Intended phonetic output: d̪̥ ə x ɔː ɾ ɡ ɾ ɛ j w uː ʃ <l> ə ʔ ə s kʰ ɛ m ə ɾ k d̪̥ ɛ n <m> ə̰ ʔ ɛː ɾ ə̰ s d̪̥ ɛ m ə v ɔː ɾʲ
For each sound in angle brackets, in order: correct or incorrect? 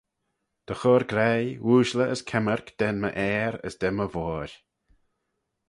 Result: correct, correct

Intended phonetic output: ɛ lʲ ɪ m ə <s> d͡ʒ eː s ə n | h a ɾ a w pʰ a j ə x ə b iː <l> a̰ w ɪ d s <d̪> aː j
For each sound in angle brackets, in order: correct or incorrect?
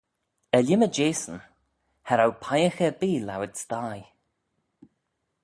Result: incorrect, correct, incorrect

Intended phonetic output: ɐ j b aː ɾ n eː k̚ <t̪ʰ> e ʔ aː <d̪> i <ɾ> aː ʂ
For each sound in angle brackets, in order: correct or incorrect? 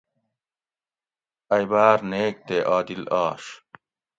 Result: incorrect, correct, incorrect

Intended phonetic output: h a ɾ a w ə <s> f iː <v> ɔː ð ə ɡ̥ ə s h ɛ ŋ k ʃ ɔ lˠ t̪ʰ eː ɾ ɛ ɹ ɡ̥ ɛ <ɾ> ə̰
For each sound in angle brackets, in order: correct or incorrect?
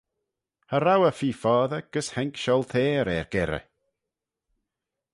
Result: incorrect, incorrect, correct

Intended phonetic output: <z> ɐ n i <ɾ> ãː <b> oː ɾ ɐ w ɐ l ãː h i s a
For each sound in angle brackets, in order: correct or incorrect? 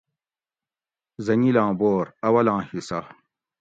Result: correct, incorrect, correct

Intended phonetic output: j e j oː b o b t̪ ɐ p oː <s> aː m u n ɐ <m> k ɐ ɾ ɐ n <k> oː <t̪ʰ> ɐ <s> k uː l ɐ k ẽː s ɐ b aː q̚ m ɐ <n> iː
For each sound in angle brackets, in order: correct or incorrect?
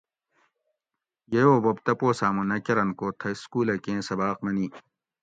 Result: correct, incorrect, correct, correct, correct, correct

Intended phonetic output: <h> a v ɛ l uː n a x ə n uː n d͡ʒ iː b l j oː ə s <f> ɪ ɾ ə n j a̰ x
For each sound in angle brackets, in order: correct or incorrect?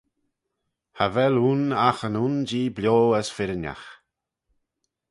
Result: correct, correct

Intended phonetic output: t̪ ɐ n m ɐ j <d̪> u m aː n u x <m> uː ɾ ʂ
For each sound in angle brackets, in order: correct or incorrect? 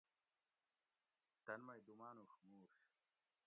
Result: correct, correct

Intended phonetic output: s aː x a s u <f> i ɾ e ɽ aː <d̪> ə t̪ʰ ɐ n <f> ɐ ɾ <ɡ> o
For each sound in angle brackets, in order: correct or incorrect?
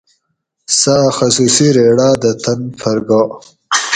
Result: incorrect, correct, correct, correct

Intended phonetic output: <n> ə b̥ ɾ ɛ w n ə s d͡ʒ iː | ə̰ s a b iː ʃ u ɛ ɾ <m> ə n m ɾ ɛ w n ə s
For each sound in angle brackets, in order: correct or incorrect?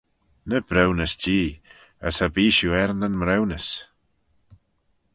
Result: correct, incorrect

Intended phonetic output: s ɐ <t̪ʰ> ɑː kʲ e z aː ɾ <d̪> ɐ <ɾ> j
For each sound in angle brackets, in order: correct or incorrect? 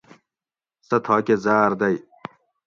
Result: correct, correct, incorrect

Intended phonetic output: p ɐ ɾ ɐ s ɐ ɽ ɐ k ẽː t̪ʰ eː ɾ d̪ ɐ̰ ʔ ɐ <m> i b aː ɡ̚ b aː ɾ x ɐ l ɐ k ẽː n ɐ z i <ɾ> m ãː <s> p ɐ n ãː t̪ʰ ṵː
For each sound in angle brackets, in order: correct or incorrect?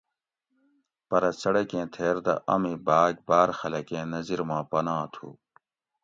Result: correct, correct, incorrect

